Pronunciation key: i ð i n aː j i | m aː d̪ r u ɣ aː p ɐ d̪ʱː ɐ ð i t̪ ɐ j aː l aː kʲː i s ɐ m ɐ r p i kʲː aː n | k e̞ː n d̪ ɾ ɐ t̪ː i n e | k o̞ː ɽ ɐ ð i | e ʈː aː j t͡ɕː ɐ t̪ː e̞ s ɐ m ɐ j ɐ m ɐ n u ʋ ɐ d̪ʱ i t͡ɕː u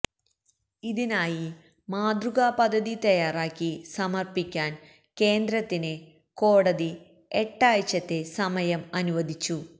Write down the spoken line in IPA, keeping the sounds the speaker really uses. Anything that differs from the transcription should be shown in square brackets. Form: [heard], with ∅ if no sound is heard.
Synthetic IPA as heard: i ð i n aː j i | m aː d̪ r u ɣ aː p ɐ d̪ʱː ɐ ð i t̪ ɐ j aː [r] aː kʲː i s ɐ m ɐ r p i kʲː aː n | k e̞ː n d̪ ɾ ɐ t̪ː i n e | k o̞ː ɽ ɐ ð i | e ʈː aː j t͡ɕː ɐ t̪ː e̞ s ɐ m ɐ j ɐ m ɐ n u ʋ ɐ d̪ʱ i t͡ɕː u